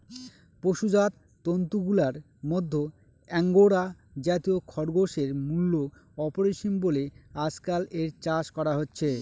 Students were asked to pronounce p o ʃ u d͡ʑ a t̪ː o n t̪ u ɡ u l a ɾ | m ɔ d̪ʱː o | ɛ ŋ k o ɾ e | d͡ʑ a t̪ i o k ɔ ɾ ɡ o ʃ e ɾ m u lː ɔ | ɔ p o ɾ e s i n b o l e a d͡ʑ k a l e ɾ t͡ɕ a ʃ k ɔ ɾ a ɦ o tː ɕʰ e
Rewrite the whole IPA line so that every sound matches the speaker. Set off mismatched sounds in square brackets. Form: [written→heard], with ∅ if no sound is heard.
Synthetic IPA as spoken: p o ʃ u d͡ʑ a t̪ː o n t̪ u ɡ u l a ɾ | m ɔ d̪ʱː o | ɛ ŋ [k→ɡ] o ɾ [e→a] | d͡ʑ a t̪ i o [k→kʰ] ɔ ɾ ɡ o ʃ e ɾ m u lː [ɔ→o] | ɔ p o ɾ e [s→ʃ] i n b o l e a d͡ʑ k a l e ɾ t͡ɕ a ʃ k ɔ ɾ a ɦ o tː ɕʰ e